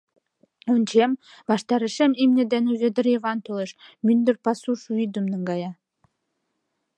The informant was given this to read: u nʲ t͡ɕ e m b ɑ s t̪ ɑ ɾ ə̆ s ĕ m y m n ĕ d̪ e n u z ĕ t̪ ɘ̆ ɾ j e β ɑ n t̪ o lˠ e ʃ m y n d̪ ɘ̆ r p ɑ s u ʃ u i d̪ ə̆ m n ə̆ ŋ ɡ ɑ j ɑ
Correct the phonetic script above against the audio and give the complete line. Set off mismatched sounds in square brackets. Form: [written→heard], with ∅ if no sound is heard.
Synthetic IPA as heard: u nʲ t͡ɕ e m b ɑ [s→ʃ] t̪ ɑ ɾ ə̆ [s→ʃ] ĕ m [y→i] m n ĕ d̪ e n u z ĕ [t̪→d̪] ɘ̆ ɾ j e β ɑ n t̪ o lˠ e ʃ m y n d̪ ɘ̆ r p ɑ s u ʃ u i d̪ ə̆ m n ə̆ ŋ ɡ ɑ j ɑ

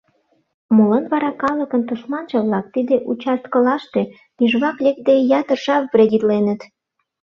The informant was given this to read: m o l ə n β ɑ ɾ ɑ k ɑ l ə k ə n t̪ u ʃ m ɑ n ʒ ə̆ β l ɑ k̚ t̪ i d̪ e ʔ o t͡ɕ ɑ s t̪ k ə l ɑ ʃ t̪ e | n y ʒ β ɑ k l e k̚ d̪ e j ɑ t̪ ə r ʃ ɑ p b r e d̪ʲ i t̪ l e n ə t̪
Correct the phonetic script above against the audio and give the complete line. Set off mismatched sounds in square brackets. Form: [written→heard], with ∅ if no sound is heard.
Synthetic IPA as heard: m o l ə n β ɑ ɾ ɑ k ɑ l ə k ə n t̪ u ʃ m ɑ n ʒ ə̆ β l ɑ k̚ t̪ i d̪ e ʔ [o→u] t͡ɕ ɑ s t̪ k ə l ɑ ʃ t̪ e | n y ʒ β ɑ k l e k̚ d̪ e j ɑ t̪ ə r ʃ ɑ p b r e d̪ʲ i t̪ l e n ə t̪

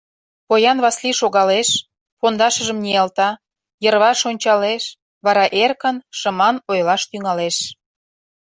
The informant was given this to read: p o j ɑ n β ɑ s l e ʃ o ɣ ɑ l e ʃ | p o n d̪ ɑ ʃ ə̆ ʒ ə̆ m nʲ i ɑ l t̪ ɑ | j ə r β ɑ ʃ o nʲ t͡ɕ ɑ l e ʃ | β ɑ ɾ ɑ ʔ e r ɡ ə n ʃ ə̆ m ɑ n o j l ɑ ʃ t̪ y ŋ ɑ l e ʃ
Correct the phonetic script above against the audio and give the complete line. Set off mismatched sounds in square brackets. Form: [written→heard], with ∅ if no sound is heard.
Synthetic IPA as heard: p o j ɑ n β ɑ s l [e→i] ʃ o ɣ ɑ l e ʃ | p o n d̪ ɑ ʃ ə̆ ʒ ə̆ m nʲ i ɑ l t̪ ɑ | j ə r β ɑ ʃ o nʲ t͡ɕ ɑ l e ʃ | β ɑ ɾ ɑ ʔ e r [ɡ→k] ə n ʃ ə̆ m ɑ n o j l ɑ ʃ t̪ y ŋ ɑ l e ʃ

